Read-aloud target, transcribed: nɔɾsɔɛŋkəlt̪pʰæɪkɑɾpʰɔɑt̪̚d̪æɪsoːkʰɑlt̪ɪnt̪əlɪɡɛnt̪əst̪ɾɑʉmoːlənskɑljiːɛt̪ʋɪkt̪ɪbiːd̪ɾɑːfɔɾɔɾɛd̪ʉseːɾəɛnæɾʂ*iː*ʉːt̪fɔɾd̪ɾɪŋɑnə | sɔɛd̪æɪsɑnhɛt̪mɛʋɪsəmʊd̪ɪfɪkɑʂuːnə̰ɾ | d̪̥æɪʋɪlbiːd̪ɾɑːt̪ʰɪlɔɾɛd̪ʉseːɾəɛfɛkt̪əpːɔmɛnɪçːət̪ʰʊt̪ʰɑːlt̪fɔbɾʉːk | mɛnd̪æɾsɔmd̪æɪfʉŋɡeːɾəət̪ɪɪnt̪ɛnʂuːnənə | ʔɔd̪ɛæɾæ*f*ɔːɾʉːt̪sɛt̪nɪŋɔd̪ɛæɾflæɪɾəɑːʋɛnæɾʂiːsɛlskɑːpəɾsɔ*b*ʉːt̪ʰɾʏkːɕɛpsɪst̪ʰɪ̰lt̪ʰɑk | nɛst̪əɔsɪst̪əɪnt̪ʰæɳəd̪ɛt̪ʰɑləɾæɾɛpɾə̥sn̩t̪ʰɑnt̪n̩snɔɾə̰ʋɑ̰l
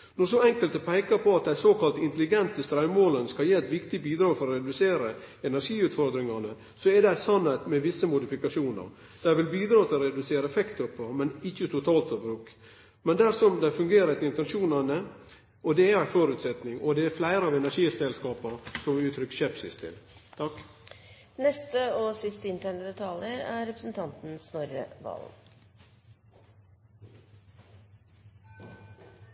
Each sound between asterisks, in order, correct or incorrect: correct, correct, incorrect: m

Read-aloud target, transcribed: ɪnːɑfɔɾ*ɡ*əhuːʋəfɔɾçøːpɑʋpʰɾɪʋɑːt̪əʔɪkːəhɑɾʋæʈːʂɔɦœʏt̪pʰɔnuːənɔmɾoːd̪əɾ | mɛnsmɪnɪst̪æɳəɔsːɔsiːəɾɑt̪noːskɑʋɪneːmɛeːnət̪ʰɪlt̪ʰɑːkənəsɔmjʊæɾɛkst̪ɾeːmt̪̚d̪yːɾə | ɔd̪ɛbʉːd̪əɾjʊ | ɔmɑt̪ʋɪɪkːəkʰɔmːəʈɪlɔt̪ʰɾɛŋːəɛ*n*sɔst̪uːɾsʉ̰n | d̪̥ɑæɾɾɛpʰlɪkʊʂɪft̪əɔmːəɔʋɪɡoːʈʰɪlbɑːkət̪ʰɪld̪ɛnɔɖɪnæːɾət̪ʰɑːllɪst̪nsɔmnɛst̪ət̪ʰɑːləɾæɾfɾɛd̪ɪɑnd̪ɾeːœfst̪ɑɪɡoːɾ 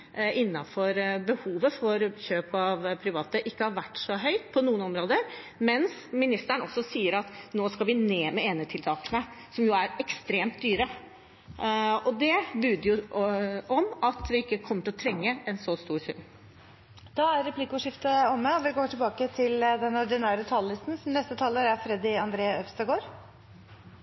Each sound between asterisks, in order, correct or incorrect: incorrect: b, correct

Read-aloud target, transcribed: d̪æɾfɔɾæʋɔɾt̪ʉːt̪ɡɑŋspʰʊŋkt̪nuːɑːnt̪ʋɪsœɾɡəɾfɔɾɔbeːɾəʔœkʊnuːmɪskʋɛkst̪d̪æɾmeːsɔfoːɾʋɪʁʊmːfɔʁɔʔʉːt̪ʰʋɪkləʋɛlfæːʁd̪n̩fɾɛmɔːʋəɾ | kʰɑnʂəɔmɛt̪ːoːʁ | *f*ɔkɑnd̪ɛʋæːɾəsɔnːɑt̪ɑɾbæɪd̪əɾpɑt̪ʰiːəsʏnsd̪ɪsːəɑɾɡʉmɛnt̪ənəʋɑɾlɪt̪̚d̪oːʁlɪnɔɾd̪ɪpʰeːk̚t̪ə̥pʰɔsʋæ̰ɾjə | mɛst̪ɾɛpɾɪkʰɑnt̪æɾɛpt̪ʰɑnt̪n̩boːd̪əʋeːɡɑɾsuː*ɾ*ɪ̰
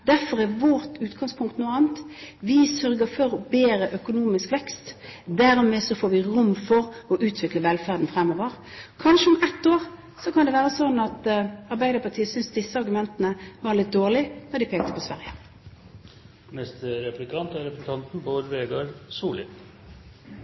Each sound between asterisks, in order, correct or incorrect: incorrect: s, incorrect: l

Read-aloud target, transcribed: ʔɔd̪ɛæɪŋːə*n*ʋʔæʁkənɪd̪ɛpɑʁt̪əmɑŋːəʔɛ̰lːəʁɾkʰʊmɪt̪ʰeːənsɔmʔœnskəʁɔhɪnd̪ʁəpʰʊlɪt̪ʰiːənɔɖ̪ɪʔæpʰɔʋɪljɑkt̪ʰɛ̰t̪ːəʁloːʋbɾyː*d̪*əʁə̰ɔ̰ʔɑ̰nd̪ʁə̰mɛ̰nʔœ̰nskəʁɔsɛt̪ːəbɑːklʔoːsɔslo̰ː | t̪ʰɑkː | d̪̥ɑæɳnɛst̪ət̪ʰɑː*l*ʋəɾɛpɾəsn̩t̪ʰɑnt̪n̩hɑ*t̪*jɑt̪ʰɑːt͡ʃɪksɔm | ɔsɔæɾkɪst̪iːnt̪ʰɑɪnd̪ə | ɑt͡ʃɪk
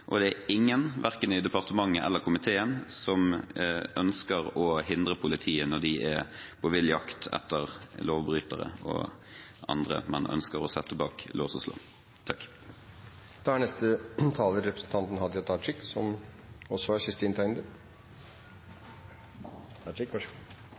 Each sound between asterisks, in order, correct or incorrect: correct, incorrect: t̪, correct, incorrect: d̪

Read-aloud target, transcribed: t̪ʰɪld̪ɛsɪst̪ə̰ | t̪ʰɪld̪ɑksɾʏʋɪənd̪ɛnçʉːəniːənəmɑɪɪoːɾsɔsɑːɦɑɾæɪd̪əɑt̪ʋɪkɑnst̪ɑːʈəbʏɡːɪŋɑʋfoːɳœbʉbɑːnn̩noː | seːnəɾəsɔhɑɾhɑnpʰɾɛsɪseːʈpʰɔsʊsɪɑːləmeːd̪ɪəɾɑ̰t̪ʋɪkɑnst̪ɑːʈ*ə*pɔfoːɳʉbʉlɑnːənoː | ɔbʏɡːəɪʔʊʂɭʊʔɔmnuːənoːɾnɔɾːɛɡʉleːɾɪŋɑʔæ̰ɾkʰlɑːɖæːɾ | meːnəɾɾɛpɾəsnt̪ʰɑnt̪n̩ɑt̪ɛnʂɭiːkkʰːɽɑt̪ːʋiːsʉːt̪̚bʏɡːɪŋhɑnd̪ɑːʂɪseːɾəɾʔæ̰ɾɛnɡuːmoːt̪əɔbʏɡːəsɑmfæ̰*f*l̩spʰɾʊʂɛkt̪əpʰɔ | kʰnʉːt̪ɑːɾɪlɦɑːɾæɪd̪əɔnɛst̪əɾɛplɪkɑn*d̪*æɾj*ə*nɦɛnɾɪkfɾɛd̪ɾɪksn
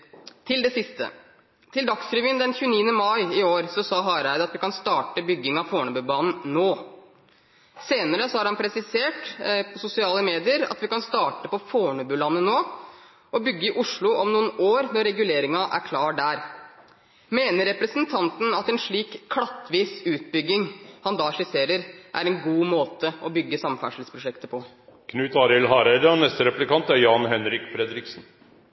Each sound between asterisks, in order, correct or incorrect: correct, incorrect: ʂ, incorrect: t̪, incorrect: ɑ

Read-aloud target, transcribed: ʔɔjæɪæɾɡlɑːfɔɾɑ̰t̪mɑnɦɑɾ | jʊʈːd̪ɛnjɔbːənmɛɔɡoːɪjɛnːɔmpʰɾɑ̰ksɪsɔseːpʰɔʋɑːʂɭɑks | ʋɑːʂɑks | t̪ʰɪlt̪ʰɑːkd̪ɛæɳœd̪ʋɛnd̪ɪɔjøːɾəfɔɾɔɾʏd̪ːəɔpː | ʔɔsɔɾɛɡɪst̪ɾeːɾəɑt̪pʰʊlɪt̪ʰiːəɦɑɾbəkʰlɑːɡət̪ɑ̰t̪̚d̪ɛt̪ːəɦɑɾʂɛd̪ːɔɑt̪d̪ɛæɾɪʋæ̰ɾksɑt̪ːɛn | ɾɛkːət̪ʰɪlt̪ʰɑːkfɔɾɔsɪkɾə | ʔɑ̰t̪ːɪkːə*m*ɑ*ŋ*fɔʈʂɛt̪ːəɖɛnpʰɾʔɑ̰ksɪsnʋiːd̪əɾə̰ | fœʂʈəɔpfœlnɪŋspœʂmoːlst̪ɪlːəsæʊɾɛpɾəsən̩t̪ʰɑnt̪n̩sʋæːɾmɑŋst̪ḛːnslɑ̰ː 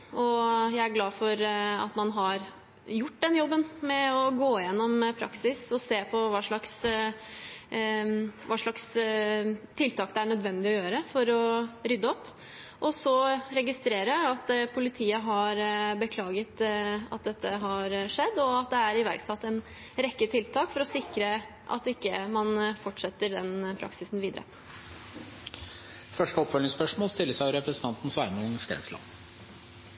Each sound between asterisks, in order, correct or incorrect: correct, incorrect: n

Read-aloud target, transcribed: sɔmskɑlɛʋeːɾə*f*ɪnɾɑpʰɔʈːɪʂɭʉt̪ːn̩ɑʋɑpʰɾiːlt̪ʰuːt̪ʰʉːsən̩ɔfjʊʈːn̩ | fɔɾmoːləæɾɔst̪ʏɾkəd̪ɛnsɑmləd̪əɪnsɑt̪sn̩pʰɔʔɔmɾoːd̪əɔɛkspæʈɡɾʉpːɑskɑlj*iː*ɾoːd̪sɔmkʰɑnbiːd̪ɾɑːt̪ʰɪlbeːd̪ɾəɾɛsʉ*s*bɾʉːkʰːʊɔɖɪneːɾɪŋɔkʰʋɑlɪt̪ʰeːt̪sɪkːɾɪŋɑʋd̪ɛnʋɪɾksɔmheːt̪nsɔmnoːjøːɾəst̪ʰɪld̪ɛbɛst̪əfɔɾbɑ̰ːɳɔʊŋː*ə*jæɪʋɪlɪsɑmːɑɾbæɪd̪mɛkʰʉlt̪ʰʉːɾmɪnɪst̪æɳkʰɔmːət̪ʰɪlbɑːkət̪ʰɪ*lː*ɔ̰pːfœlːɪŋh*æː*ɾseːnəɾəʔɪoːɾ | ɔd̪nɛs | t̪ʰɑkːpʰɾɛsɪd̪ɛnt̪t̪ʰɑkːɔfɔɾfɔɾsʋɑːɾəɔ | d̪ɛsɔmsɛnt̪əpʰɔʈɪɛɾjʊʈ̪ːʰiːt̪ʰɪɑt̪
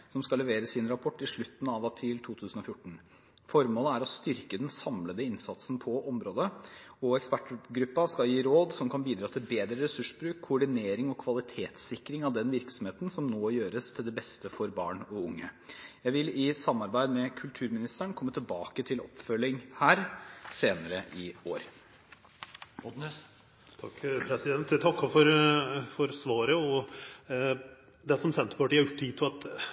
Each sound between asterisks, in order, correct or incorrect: incorrect: s, correct, incorrect: ʂ, correct, incorrect: l, correct

